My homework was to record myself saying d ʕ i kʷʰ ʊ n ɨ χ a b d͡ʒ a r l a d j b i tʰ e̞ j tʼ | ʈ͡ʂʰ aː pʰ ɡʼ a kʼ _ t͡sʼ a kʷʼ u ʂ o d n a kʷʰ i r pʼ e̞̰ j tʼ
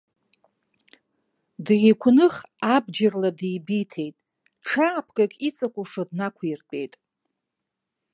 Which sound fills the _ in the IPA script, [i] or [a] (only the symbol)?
i